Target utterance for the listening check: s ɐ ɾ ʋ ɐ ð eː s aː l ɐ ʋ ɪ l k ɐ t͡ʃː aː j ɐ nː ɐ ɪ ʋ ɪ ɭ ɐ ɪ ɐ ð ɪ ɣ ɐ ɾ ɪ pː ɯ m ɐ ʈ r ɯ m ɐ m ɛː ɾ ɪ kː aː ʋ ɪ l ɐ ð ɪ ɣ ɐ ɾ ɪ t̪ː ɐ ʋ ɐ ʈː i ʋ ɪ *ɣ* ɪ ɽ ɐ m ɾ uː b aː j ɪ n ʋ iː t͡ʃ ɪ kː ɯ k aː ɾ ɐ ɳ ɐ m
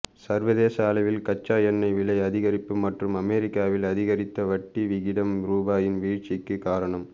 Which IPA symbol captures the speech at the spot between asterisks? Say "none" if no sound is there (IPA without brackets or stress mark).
ɣ